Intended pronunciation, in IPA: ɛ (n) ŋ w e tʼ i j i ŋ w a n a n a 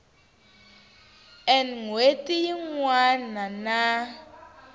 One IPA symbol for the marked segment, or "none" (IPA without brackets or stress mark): n